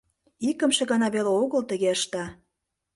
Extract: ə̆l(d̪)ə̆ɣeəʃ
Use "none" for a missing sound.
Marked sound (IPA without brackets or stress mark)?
t̪